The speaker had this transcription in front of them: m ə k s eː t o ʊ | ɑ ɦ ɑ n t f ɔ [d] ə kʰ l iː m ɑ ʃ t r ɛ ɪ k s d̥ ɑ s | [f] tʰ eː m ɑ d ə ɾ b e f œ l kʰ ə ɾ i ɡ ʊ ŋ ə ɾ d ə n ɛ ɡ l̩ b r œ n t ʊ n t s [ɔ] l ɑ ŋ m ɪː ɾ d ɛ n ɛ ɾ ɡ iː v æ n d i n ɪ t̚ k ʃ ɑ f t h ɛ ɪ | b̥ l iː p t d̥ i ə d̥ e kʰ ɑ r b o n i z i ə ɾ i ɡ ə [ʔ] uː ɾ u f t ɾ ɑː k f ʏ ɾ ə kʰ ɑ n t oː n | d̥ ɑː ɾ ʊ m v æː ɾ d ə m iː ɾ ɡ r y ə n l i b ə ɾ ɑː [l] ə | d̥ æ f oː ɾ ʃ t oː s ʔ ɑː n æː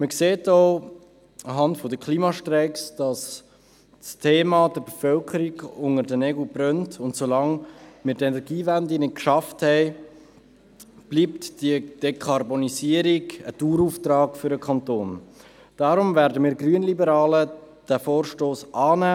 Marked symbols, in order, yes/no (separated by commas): yes, no, no, no, yes